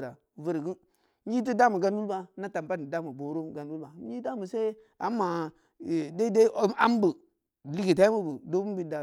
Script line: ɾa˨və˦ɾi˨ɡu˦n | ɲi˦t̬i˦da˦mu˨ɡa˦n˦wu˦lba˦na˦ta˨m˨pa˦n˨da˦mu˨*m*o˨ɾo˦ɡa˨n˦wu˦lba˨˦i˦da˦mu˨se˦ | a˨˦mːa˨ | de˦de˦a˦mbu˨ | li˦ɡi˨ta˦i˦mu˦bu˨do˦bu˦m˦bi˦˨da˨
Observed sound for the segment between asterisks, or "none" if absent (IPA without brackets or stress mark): b